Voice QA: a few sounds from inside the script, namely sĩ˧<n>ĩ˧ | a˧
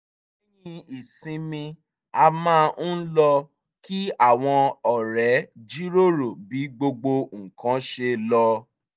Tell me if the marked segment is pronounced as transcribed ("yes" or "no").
no